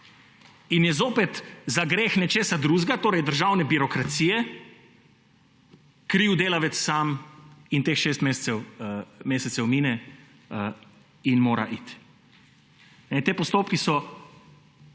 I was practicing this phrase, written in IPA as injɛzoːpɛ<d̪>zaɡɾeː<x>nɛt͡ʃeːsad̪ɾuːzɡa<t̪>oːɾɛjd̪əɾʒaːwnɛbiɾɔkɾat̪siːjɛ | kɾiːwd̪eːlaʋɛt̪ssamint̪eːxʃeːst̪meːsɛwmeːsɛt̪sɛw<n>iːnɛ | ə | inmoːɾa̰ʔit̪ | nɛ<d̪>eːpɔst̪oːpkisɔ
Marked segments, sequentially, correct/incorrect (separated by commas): incorrect, correct, correct, incorrect, incorrect